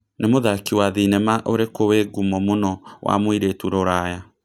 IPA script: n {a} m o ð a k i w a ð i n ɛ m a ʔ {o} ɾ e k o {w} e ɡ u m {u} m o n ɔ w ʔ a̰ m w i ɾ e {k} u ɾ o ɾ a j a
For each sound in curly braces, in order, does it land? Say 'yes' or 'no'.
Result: no, yes, yes, no, no

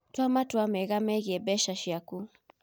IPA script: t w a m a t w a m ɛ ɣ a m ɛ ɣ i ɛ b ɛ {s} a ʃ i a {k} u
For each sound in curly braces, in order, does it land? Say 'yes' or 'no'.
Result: no, yes

